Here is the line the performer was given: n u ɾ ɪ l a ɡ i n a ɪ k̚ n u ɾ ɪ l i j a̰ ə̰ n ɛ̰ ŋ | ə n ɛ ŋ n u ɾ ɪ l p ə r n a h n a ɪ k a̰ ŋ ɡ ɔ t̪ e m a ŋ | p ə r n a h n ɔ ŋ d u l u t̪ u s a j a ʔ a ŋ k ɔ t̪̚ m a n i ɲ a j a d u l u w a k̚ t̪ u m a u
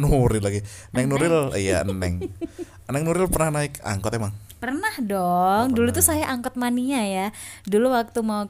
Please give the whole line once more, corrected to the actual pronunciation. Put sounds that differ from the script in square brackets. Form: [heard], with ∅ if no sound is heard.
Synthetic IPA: n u ɾ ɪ l a ɡ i n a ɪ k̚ n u ɾ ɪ l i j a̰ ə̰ n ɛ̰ ŋ | ə n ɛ ŋ n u ɾ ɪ l p ə r n a h n a ɪ k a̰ ŋ [k] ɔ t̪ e m a ŋ | p ə r n a h [d] ɔ ŋ d u l u t̪ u s a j a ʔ a ŋ k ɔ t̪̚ m a n i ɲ a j a d u l u w a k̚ t̪ u m a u